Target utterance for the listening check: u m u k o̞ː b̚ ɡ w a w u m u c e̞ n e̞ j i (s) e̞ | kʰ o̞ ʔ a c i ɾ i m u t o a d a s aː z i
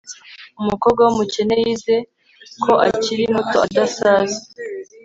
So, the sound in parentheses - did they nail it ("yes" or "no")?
no